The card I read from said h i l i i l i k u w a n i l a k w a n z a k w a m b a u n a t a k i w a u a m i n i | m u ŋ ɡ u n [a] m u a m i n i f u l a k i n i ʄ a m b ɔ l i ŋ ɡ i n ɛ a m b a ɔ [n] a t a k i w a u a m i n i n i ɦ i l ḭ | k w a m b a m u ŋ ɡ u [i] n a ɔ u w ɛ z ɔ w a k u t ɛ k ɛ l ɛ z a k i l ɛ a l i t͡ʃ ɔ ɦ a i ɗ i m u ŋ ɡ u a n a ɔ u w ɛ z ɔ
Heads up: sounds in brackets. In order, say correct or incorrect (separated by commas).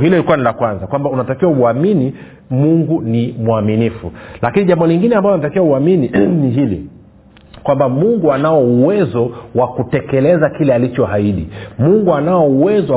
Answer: incorrect, correct, incorrect